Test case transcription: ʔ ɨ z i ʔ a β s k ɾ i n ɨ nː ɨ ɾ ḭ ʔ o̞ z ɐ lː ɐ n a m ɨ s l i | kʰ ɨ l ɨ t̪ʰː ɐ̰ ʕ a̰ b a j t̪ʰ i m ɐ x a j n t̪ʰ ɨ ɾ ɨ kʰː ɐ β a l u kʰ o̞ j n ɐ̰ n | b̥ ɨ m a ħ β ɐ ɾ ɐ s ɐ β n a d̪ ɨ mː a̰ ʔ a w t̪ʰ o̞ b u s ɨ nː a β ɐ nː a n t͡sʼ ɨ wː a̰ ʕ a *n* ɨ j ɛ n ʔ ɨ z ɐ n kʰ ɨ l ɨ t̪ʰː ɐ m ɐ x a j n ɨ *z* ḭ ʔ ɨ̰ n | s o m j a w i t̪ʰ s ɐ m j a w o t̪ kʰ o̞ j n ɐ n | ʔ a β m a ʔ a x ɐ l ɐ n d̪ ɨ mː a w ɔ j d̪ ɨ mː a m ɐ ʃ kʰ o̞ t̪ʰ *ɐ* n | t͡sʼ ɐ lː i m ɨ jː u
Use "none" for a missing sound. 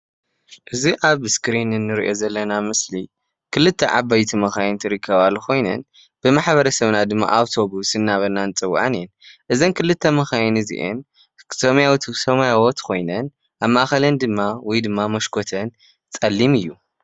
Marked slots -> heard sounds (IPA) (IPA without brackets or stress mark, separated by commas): n, z, ɐ